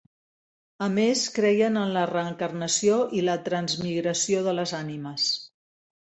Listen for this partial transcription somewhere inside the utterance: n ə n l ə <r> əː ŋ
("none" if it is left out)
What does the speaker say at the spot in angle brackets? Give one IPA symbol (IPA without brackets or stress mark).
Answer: r